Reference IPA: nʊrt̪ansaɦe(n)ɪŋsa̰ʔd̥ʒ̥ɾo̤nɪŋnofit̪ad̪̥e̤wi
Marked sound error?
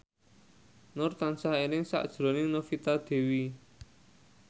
no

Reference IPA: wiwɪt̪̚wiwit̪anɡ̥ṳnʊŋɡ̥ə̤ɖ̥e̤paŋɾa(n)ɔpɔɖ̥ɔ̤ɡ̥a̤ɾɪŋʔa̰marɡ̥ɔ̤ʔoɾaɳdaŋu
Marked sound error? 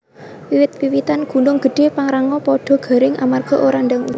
yes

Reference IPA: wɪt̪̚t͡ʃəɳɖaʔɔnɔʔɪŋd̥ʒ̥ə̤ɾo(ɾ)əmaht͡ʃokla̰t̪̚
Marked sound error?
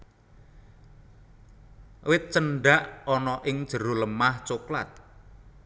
yes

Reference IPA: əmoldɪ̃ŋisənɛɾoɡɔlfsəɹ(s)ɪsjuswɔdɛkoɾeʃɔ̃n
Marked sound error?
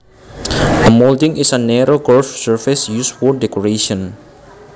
yes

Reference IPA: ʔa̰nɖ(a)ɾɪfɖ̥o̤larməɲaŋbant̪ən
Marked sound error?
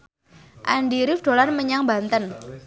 yes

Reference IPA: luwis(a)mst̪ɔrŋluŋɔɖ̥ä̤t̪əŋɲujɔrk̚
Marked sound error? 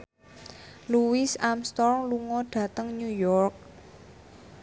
no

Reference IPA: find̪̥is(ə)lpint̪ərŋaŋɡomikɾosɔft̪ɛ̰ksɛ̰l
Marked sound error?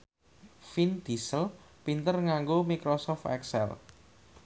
no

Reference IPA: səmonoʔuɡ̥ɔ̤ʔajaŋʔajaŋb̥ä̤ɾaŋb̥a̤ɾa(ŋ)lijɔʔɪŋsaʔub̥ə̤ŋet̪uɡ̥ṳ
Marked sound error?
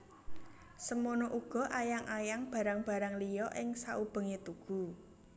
no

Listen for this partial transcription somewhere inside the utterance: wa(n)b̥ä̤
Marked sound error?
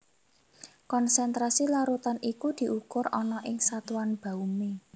no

